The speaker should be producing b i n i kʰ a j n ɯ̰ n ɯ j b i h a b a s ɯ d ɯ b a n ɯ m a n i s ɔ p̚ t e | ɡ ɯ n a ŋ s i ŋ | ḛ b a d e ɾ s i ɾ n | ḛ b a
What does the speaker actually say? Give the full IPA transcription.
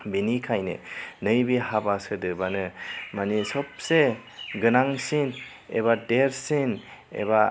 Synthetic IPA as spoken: b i n i kʰ a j n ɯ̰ n ɯ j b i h a b a s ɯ d ɯ b a n ɯ m a n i s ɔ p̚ s e | ɡ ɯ n a ŋ s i n | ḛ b a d e ɾ s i n | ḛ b a